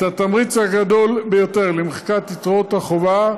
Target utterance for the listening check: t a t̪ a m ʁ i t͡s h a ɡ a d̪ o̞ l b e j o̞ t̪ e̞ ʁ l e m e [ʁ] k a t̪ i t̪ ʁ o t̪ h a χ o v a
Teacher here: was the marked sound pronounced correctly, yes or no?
no